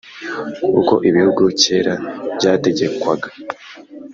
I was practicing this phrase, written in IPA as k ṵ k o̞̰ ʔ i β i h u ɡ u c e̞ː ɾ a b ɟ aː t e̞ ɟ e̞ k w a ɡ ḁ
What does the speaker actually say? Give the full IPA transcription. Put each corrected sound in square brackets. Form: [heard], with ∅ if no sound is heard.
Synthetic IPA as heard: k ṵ k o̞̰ ʔ i β i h u ɡ u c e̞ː ɾ a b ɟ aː t e̞ ɟ e̞ k w a ɡ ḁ